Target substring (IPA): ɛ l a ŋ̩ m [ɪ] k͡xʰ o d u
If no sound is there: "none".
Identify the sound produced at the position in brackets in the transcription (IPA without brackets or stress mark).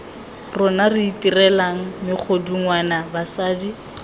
ɪ